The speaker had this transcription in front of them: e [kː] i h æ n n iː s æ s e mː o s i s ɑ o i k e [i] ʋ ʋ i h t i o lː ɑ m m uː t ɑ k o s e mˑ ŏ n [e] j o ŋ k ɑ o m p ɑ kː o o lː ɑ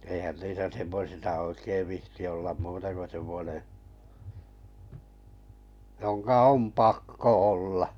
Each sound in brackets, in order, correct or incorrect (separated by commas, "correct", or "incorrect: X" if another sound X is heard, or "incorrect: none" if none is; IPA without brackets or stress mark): incorrect: none, correct, correct